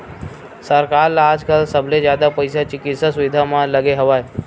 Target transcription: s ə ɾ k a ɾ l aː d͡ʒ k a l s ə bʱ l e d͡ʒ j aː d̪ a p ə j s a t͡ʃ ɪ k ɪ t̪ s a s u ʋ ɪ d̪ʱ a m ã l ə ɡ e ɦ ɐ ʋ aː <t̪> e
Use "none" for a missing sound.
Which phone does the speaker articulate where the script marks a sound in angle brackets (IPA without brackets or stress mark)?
none